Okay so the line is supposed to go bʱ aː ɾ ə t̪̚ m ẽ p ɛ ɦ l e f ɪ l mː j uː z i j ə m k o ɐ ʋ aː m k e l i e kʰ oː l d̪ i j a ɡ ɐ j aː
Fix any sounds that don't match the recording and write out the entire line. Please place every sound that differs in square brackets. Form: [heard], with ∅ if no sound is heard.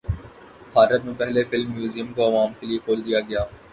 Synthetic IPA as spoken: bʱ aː ɾ ə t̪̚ m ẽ p ɛ ɦ l e f ɪ l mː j uː z i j ə m k o ɐ ʋ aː m k e l i e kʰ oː l d̪ i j a ɡ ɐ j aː